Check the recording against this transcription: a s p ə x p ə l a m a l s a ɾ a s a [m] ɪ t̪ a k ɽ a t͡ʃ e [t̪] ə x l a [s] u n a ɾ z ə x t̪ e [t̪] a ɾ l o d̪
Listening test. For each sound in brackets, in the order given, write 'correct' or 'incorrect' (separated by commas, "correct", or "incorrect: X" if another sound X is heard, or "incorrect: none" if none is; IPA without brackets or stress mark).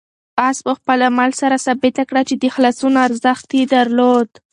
incorrect: b, incorrect: d̪, correct, incorrect: d̪